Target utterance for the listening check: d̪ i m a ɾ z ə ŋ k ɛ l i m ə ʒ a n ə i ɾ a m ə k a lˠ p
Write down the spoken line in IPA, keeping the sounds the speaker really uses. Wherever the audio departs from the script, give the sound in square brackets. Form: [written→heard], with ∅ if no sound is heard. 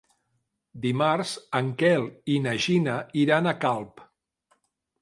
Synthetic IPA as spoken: d̪ i m a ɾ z ə ŋ k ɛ l i [m→n] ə ʒ [a→i] n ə i ɾ a [m→n] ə k a lˠ p